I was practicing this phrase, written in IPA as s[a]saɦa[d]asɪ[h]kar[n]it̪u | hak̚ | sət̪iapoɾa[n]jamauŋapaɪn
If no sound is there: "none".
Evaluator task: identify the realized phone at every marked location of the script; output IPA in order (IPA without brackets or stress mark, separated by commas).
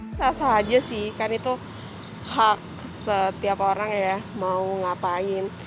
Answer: a, d͡ʒ, h, n, ŋ